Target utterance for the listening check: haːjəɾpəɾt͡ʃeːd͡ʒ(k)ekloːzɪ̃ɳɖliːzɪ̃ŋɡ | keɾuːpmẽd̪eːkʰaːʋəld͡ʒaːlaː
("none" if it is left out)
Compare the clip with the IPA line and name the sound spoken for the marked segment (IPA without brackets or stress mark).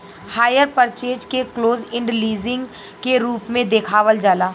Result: k